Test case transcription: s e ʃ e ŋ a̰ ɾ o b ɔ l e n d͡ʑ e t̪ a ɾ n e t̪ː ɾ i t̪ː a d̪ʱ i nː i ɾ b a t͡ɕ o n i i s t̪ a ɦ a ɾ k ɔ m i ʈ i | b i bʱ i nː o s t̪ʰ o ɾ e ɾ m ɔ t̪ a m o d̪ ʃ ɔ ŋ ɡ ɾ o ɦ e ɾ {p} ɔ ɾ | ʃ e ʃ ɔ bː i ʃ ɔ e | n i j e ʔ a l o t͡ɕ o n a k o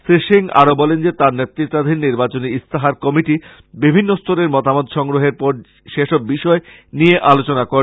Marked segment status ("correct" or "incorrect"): correct